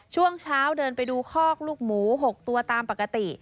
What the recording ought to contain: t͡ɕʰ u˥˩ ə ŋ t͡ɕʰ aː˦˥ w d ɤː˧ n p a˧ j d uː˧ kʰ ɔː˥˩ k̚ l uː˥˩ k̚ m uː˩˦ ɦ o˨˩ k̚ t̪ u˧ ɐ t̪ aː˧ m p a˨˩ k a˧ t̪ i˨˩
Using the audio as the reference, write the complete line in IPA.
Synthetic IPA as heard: t͡ɕʰ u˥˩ ə ŋ t͡ɕʰ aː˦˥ w d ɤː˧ n p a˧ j d uː˧ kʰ ɔː˥˩ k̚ l uː˥˩ k̚ m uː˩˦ ɦ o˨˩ k̚ t̪ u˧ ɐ t̪ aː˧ m p a˨˩ k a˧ t̪ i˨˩